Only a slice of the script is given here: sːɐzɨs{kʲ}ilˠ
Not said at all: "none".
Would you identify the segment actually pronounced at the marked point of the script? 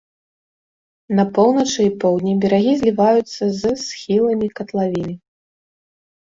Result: xʲ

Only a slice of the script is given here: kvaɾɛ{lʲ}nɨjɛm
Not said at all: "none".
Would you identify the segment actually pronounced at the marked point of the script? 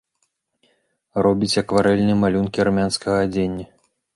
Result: lʲ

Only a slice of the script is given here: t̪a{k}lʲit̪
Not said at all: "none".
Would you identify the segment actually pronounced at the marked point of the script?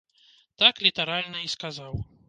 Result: k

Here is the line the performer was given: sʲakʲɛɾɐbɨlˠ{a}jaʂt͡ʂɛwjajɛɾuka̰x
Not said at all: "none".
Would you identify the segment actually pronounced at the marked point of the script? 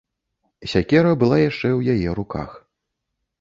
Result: a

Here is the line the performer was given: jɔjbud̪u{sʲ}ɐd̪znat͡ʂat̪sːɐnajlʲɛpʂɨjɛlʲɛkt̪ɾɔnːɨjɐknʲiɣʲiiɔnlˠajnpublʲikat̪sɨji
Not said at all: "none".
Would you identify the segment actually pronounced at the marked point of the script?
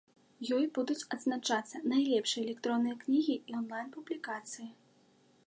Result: t͡sʲ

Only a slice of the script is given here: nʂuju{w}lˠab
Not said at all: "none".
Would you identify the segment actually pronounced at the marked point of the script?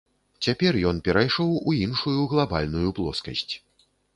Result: ɣ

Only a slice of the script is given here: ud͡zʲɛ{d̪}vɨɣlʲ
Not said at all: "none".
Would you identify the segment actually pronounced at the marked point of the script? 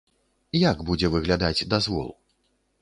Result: none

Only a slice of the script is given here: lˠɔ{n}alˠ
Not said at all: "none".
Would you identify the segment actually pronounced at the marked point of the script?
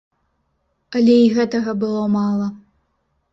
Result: m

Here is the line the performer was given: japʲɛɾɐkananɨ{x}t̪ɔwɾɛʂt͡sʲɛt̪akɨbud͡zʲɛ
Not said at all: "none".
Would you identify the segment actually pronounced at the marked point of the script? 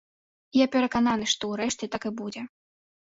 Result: ʂ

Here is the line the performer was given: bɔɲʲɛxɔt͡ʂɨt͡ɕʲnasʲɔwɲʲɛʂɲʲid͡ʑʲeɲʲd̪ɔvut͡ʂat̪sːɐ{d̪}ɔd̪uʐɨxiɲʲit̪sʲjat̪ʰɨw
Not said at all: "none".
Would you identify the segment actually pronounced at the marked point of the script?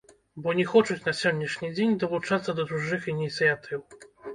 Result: d̪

